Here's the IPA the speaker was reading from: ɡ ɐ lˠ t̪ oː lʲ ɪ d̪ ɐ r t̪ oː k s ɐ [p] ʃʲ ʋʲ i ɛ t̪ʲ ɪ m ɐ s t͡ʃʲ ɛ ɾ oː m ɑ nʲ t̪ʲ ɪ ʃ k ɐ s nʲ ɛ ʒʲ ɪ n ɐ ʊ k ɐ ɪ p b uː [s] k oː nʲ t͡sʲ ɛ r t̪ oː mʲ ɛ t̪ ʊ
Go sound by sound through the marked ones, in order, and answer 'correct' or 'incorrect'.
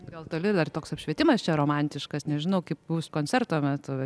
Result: correct, correct

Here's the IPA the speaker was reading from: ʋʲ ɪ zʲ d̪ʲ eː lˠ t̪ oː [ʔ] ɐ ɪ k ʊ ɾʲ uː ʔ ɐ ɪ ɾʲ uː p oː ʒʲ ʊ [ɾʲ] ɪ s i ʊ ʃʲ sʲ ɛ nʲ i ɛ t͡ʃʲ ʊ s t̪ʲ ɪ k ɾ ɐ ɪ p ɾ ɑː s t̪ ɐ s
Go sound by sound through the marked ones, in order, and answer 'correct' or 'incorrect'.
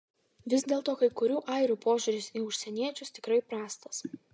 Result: incorrect: k, correct

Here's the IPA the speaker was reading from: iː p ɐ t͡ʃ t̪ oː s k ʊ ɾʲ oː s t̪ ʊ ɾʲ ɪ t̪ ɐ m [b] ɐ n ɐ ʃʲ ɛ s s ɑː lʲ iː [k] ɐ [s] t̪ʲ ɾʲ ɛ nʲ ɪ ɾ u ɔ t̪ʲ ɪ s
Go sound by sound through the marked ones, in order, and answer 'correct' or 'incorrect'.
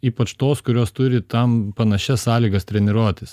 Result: incorrect: p, incorrect: ɡ, correct

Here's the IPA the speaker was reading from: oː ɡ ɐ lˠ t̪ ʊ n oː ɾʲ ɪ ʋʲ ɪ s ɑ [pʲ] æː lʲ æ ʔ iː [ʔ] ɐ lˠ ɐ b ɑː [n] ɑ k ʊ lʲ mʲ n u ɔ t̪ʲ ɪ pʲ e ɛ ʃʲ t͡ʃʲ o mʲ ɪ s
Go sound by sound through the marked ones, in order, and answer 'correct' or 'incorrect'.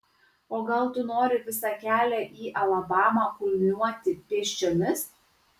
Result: incorrect: kʲ, correct, incorrect: m

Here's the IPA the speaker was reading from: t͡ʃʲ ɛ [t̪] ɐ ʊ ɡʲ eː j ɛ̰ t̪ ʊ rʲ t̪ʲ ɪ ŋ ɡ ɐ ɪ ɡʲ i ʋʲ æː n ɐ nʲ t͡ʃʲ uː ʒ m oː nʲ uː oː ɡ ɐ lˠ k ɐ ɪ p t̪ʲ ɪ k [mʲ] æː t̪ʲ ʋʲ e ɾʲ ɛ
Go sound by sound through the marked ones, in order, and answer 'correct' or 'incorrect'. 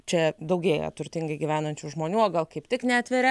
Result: incorrect: d̪, incorrect: nʲ

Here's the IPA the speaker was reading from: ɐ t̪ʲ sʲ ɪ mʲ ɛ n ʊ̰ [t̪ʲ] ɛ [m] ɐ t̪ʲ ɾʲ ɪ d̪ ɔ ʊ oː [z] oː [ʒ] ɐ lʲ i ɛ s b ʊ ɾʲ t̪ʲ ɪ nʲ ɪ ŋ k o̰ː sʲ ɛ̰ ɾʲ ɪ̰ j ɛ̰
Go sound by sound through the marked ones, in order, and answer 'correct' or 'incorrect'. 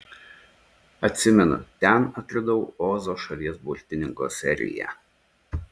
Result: correct, incorrect: n, correct, incorrect: ʃ

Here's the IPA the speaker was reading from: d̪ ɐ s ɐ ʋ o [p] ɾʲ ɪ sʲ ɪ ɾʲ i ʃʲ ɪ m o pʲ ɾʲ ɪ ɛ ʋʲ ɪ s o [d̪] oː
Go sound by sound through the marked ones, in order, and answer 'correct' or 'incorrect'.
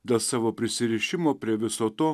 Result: correct, incorrect: t̪

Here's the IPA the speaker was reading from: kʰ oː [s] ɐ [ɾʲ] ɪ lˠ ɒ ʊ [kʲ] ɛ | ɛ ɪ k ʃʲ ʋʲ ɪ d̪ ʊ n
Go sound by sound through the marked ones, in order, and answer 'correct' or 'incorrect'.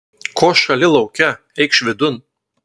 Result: incorrect: ʃ, incorrect: lʲ, correct

